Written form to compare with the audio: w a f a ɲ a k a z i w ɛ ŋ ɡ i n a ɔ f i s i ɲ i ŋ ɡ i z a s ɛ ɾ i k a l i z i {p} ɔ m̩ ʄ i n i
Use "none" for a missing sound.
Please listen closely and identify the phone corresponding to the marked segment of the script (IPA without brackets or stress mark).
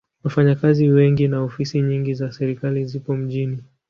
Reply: p